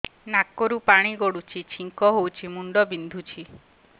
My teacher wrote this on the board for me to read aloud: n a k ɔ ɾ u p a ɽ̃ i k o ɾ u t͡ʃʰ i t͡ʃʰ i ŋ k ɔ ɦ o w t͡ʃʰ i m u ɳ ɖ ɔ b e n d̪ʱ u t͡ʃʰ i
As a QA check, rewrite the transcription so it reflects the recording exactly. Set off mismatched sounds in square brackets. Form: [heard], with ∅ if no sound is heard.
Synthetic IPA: n a k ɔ ɾ u p a ɽ̃ i [ɡ] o [ɽ] u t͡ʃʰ i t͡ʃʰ i ŋ k ɔ ɦ o w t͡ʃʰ i m u ɳ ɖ ɔ b [i] n d̪ʱ u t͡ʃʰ i

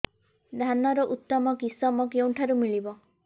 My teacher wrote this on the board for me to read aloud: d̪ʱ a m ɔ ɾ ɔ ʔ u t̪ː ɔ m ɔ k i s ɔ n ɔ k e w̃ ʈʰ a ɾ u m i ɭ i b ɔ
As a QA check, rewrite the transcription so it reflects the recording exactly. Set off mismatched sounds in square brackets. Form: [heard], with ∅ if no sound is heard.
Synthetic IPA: d̪ʱ a [n] ɔ ɾ ɔ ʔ u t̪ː ɔ m ɔ k i s ɔ [m] ɔ k e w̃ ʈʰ a ɾ u m i ɭ i b ɔ

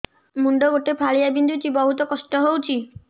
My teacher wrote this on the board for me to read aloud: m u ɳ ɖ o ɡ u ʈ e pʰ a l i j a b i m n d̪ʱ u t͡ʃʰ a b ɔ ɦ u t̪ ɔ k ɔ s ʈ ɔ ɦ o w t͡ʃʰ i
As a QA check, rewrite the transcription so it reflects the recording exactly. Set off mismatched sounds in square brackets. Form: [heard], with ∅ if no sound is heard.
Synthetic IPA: m u ɳ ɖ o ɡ [o] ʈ e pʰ a [ɭ] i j a b i [∅] n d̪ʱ u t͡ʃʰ [i] b ɔ ɦ u t̪ ɔ k ɔ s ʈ ɔ ɦ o w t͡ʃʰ i

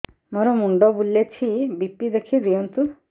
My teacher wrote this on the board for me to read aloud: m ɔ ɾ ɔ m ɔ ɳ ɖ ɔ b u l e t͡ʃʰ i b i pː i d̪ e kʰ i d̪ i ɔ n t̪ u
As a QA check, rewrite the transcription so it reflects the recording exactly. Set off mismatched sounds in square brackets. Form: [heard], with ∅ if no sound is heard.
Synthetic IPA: m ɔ ɾ ɔ m [u] ɳ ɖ ɔ b u l e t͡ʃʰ i b i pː i d̪ e kʰ i d̪ i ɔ n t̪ u

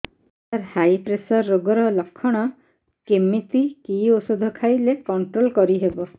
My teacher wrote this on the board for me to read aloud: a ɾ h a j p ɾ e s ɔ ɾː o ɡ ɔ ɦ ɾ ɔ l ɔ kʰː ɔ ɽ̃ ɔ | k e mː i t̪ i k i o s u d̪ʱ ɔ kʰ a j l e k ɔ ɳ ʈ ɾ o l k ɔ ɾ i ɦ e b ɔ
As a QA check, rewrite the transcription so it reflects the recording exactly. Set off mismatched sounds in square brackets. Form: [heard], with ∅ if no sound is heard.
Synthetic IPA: a ɾ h a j p ɾ e s ɔ ɾː o ɡ ɔ [∅] ɾ ɔ l ɔ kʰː ɔ ɽ̃ ɔ | k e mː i t̪ i k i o s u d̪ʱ ɔ kʰ a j l e k ɔ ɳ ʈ ɾ o l k ɔ ɾ i ɦ e b ɔ

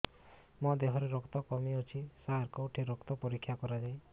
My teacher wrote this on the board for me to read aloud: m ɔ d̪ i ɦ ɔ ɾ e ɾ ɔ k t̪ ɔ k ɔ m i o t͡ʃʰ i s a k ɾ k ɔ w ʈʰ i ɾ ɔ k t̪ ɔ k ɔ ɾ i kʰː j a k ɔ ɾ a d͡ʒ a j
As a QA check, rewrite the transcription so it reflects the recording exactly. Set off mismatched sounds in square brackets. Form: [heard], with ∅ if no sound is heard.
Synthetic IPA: m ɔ d̪ [e] ɦ ɔ ɾ e ɾ ɔ k t̪ ɔ k ɔ m i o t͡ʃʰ i s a [∅] ɾ k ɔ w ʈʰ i ɾ ɔ k t̪ ɔ [p] ɔ ɾ i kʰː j a k ɔ ɾ a d͡ʒ a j

